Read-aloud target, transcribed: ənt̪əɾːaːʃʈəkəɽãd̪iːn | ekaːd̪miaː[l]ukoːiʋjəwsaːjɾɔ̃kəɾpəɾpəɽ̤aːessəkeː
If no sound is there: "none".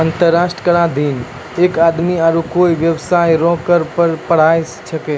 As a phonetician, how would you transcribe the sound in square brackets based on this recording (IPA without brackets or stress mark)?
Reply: ɾ